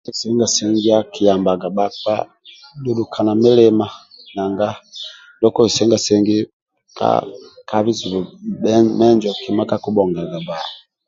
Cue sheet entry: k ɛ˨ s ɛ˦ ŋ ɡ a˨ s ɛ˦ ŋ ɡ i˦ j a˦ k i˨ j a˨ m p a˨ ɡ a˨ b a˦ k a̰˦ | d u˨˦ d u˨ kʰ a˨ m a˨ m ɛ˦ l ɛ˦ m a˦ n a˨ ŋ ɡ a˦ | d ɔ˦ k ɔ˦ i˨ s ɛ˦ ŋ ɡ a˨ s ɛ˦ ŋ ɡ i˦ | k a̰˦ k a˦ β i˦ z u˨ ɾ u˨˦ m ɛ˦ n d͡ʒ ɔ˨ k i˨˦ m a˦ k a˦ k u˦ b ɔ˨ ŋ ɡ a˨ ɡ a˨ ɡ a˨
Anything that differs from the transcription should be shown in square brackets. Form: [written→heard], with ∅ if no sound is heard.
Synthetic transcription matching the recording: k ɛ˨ s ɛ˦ ŋ ɡ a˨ s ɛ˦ ŋ ɡ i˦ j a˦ k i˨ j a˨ m [p→b] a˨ ɡ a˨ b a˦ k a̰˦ | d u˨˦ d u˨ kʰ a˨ [m→n] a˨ m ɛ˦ l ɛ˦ m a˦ n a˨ ŋ ɡ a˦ | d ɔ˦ k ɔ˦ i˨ s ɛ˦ ŋ ɡ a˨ s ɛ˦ ŋ ɡ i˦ | k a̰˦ k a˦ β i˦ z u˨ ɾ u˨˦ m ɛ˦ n d͡ʒ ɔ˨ k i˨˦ m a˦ k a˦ k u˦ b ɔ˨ ŋ ɡ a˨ ɡ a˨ [ɡ→b] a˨